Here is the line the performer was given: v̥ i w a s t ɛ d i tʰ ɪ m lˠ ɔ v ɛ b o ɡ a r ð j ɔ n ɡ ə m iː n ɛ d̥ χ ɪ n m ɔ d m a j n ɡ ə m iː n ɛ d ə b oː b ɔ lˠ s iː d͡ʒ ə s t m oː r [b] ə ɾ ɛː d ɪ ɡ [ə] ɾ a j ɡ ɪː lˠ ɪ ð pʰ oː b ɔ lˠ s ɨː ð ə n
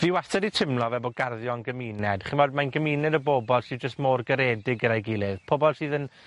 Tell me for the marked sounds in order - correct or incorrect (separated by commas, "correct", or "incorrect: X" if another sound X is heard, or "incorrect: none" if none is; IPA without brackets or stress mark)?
incorrect: ɡ, correct